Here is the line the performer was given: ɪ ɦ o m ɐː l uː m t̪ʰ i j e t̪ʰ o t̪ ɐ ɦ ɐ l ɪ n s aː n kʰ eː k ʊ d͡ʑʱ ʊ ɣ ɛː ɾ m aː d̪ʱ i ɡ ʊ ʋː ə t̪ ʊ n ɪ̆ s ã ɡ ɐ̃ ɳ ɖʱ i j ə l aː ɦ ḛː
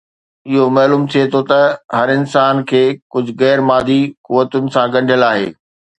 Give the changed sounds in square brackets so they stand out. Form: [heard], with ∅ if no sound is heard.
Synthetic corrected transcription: ɪ ɦ o m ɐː l uː m t̪ʰ i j e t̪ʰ o t̪ ɐ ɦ ɐ [ɾ] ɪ n s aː n kʰ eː k ʊ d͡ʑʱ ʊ ɣ ɛː ɾ m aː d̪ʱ i [k] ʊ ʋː ə t̪ ʊ n ɪ̆ s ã ɡ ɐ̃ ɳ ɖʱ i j ə l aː ɦ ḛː